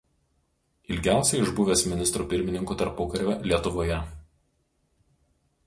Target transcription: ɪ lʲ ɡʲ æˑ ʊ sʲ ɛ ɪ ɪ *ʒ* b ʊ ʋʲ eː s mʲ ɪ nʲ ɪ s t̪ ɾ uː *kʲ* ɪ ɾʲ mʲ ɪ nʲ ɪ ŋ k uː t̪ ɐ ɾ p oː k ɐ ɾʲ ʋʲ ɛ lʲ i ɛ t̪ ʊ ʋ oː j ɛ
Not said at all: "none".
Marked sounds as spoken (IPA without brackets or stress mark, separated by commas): ʒ, pʲ